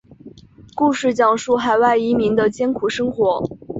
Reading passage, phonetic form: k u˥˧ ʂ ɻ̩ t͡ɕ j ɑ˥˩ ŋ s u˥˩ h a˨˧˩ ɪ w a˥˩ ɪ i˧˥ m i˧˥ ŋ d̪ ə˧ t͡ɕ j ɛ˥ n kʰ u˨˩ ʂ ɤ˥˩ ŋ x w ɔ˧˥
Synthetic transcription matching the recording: k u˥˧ ʂ ɻ̩ t͡ɕ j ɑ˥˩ ŋ ʂ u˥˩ x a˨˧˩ ɪ w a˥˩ ɪ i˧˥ m i˧˥ ŋ d̪ ə˧ t͡ɕ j ɛ˥ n kʰ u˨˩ ʂ ɤ˥ ŋ x w ɔ˧˥